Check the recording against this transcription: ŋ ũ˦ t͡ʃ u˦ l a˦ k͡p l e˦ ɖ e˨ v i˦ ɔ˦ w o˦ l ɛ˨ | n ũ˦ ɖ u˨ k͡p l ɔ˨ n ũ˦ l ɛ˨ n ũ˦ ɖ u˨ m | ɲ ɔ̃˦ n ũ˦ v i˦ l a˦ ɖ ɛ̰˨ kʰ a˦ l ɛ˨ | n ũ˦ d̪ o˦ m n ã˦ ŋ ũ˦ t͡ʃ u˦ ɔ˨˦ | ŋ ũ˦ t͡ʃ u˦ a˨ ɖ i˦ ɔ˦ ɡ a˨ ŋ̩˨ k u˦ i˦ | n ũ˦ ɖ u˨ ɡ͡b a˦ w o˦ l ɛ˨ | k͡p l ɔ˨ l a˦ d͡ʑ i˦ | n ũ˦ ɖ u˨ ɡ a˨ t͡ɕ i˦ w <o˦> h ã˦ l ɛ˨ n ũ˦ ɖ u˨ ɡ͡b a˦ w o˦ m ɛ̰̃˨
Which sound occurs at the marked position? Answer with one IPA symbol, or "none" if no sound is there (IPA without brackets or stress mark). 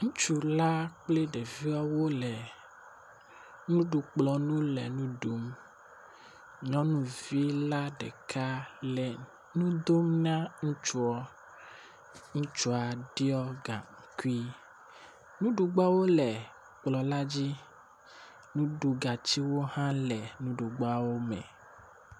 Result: o˦